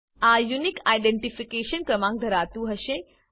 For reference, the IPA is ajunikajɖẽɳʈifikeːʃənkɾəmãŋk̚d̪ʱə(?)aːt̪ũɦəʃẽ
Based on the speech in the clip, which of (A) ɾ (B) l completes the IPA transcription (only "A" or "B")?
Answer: A